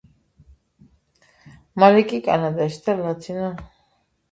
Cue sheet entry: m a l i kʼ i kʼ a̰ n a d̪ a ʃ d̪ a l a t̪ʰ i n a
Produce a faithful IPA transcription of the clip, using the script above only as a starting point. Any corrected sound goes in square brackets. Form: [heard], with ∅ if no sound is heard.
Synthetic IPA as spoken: m a l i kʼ i kʼ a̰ n a d̪ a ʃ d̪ a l a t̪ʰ i n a